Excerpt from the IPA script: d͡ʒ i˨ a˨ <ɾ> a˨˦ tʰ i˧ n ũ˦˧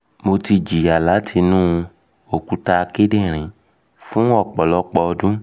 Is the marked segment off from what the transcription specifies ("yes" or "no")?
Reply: yes